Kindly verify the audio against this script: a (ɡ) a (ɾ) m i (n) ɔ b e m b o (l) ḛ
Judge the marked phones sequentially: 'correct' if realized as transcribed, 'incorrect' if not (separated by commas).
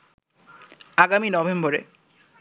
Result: correct, incorrect, correct, incorrect